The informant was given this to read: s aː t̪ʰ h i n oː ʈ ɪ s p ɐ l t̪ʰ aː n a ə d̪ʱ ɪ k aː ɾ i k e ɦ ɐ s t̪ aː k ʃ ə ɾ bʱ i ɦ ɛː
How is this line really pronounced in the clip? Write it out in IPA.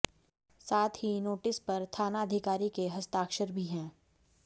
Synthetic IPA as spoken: s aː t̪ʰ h i n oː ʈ ɪ s p ɐ ɾ t̪ʰ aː n a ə d̪ʱ ɪ k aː ɾ i k e ɦ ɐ s t̪ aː k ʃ ə ɾ bʱ i ɦ ɛ̃ː